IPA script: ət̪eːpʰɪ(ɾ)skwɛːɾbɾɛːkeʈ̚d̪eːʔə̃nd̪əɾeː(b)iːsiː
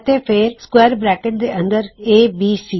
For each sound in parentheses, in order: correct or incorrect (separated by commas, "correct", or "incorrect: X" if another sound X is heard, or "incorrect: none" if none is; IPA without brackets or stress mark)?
correct, correct